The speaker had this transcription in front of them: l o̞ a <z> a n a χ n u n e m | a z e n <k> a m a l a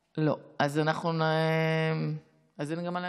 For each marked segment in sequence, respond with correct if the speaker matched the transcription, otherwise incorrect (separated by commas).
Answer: correct, incorrect